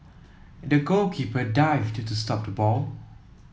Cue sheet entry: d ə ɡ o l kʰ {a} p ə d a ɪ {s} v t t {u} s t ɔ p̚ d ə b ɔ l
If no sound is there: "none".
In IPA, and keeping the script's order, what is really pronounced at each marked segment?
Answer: i, none, u

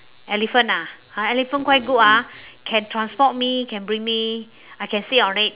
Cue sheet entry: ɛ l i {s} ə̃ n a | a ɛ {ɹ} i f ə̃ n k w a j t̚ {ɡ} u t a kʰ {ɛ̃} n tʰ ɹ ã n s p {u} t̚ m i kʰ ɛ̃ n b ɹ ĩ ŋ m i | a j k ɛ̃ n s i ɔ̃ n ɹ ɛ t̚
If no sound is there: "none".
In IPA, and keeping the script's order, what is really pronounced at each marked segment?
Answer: f, l, ɡ, ɛ̃, ɔ

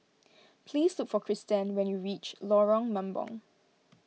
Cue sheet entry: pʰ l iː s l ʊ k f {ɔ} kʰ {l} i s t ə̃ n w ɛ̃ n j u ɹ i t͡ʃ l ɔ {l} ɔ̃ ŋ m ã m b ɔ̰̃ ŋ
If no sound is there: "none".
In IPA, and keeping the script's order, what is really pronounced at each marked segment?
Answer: ɔ, ɹ, ɹ

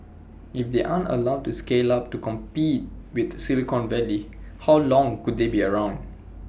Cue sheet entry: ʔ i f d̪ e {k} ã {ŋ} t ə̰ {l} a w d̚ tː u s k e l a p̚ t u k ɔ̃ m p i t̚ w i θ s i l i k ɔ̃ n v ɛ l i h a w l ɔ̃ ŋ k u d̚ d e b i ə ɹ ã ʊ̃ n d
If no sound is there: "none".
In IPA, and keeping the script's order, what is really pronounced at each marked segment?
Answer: ʔ, n, l

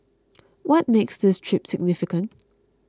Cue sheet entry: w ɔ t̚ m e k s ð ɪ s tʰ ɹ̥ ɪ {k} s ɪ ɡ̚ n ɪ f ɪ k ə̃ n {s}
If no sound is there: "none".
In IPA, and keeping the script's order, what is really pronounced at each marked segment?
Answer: p, t

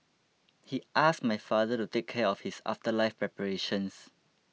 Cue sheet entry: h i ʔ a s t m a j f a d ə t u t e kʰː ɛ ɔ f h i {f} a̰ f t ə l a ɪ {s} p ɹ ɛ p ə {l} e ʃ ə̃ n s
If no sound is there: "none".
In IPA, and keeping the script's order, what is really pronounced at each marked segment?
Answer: s, f, ɹ

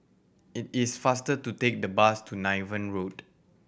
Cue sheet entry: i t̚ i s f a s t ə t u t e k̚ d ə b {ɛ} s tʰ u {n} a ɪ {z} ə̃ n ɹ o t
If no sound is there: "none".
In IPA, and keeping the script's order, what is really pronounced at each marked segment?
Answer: a, n, v

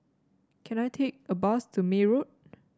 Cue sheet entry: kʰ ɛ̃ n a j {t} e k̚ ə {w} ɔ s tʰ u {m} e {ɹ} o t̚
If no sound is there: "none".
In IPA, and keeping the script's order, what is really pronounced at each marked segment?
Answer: tʰ, b, m, ɹ

